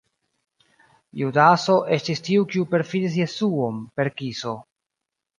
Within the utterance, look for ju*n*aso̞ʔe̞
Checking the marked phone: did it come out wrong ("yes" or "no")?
yes